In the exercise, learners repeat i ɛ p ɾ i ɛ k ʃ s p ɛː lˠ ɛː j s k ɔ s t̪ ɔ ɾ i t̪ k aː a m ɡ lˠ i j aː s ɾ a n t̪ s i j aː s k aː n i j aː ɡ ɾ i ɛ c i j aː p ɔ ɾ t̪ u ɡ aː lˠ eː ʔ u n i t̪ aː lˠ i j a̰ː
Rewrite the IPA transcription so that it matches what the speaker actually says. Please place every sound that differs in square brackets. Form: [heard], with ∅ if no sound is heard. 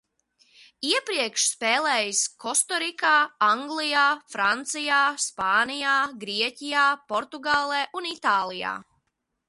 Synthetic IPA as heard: i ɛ p ɾ i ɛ k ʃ s p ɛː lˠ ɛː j s k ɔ s t̪ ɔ ɾ i [∅] k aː a [ŋ] ɡ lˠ i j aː [f] ɾ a n t̪ s i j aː s [p] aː n i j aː ɡ ɾ i ɛ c i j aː p ɔ ɾ t̪ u ɡ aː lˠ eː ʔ u n i t̪ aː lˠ i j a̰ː